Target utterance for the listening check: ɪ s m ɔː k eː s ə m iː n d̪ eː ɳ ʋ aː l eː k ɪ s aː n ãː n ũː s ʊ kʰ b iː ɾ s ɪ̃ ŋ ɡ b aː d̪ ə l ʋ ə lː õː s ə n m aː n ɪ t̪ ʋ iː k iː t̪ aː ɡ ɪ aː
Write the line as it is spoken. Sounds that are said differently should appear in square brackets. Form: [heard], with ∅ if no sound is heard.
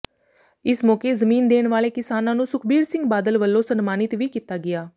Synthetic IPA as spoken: ɪ s m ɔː k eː [z] ə m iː n d̪ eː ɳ ʋ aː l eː k ɪ s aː n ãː n ũː s ʊ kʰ b iː ɾ s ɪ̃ ŋ ɡ b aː d̪ ə l ʋ ə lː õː s ə n m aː n ɪ t̪ ʋ iː k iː t̪ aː ɡ ɪ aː

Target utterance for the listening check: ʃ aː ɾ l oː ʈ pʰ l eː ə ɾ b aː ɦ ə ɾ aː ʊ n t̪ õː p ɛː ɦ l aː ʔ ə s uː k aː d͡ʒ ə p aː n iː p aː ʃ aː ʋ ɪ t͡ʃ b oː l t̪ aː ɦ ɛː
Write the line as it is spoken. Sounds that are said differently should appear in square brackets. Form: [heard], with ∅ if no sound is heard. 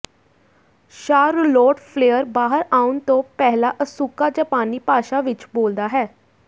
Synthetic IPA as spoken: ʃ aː ɾ l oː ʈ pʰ l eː ə ɾ b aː ɦ ə ɾ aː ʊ n t̪ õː p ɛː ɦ l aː ʔ ə s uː k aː d͡ʒ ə p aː n iː p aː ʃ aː ʋ ɪ t͡ʃ b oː l [d̪] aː ɦ ɛː

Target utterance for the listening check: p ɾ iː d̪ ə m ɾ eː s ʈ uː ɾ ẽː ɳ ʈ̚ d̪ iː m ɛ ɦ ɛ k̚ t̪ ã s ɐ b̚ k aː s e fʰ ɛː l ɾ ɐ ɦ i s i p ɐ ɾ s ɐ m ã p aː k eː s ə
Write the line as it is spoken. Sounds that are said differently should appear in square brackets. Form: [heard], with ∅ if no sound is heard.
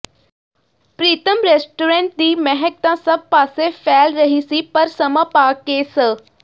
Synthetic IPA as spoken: p ɾ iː [t̪] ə m ɾ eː s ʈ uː ɾ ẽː ɳ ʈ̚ d̪ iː m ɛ ɦ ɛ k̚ t̪ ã s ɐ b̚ [p] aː s e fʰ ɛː l ɾ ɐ ɦ i s i p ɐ ɾ s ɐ m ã p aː k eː s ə

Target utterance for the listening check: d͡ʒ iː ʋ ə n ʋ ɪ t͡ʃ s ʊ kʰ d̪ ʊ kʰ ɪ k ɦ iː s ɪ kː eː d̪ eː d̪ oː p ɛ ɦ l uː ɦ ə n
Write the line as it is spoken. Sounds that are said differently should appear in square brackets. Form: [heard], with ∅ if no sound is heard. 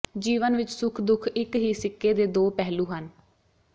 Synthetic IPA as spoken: d͡ʒ iː ʋ ə n ʋ ɪ t͡ʃ s ʊ kʰ d̪ ʊ kʰ ɪ k ɦ iː s ɪ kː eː d̪ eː d̪ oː p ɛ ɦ l uː ɦ ə n

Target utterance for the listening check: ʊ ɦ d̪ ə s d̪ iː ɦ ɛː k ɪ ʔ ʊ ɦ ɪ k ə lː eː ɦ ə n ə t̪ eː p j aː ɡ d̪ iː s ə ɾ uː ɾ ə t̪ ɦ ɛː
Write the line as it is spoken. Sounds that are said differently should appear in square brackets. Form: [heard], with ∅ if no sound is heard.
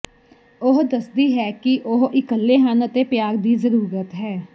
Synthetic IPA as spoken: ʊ ɦ d̪ ə s d̪ iː ɦ ɛː k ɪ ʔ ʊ ɦ ɪ k ə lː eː ɦ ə n ə t̪ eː p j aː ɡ d̪ iː [z] ə ɾ uː ɾ ə t̪ ɦ ɛː

